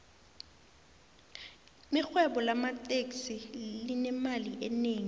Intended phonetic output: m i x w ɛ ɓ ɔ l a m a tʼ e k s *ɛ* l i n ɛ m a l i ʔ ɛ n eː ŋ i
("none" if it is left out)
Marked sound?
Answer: i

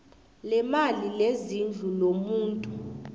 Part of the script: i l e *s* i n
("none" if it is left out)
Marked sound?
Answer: z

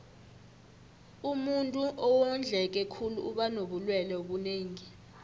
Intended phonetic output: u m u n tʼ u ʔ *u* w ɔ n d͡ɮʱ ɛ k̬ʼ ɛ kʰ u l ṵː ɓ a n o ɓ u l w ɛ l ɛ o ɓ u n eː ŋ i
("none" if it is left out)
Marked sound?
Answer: ɔ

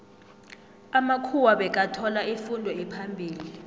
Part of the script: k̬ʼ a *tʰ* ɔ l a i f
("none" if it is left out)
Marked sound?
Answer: tʰ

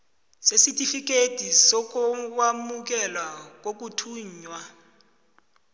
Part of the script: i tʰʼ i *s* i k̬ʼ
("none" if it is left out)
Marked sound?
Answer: f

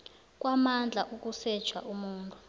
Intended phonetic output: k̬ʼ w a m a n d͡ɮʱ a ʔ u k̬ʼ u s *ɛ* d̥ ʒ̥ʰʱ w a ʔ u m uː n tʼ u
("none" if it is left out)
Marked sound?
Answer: ɛ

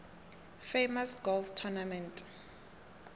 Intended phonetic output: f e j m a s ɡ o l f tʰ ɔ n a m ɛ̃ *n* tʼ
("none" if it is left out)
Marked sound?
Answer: n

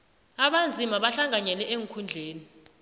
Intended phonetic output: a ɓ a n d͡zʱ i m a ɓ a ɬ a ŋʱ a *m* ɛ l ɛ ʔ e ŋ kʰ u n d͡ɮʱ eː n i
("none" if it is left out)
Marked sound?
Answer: ɲ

